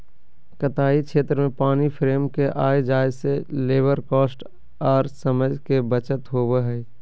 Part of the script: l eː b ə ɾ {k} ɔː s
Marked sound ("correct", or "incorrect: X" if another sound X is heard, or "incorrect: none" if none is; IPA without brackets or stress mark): correct